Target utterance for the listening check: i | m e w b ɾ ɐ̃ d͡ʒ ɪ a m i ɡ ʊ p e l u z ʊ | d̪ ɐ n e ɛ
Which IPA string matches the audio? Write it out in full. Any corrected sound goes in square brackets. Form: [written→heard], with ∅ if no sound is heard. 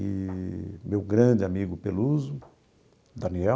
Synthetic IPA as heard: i | m e w [b→ɡ] ɾ ɐ̃ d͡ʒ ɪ a m i ɡ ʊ p e l u z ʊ | d̪ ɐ n [e→i] ɛ